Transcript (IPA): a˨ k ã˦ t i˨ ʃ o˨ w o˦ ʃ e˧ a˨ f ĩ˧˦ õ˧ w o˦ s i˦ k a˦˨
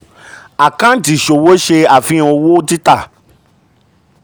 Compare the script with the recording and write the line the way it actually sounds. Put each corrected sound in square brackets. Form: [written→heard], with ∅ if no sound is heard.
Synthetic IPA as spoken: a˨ k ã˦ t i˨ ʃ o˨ w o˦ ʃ e˧ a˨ f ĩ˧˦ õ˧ w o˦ [s→t] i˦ [k→t] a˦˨